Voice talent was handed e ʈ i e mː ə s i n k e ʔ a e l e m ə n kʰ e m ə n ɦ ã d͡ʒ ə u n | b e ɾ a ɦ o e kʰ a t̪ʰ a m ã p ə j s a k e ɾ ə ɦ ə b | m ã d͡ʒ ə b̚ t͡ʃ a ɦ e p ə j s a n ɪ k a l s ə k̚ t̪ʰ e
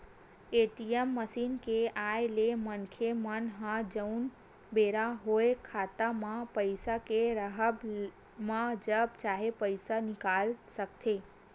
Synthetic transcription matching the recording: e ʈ i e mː ə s i n k e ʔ a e l e m ə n kʰ e m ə n ɦ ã d͡ʒ ə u n | b e ɾ a ɦ o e kʰ a t̪ a m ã p ə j s a k e ɾ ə ɦ ə b | m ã d͡ʒ ə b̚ t͡ʃ a ɦ e p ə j s a n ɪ k a l s ə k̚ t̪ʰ e